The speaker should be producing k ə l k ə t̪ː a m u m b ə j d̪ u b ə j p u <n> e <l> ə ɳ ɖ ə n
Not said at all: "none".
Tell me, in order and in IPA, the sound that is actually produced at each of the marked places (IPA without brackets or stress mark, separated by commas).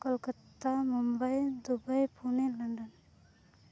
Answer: n, l